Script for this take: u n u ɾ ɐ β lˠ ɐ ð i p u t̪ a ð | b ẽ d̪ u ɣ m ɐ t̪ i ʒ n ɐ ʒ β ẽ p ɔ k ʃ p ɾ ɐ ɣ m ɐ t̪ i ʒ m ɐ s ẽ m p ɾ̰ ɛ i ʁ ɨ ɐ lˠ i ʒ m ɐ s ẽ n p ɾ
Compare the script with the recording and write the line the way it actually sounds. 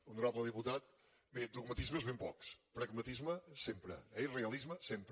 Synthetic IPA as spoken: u n u ɾ a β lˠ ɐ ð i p u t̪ a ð | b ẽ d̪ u ɣ m ɐ t̪ i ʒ m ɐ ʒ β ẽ p ɔ k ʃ p ɾ ɐ ɣ m ɐ t̪ i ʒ m ɐ s ẽ m p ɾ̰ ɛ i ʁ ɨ ɐ lˠ i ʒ m ɐ s ẽ m p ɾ